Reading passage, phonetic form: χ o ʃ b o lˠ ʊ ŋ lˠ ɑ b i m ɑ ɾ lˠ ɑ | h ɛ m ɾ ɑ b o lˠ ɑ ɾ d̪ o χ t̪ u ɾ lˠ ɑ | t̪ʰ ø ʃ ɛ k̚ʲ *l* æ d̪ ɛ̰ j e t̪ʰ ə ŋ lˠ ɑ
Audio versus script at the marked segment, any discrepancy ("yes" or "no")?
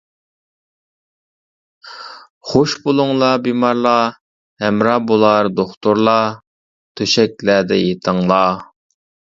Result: no